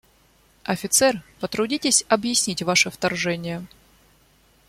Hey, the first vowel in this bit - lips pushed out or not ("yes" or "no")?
no